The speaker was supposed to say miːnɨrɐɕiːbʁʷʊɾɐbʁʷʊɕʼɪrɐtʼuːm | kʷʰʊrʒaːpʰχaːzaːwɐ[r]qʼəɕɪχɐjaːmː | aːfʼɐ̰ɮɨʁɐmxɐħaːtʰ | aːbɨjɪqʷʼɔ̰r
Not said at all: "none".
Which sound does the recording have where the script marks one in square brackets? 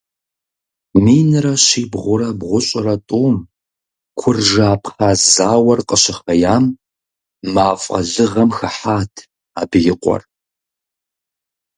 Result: r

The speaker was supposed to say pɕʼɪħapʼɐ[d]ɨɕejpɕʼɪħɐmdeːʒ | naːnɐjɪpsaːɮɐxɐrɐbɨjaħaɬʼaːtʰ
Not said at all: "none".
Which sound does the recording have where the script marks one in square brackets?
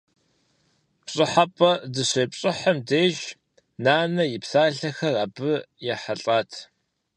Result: d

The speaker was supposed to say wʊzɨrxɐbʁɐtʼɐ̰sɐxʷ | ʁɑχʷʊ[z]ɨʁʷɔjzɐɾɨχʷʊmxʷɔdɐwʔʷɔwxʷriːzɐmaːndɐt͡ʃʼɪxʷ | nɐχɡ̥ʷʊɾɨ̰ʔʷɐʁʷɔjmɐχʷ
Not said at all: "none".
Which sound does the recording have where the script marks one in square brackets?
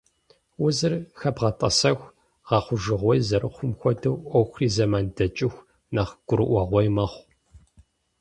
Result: ʒ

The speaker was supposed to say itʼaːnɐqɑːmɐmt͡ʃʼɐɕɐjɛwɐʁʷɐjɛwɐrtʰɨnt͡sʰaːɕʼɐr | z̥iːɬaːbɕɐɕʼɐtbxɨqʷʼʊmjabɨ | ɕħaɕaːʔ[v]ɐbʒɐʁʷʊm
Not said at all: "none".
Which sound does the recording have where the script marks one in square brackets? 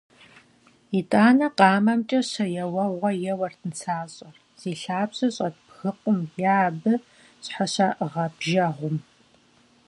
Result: ʁ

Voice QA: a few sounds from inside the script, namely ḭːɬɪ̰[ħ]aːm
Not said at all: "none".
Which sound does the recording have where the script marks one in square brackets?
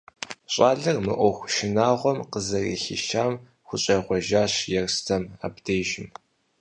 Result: ʃ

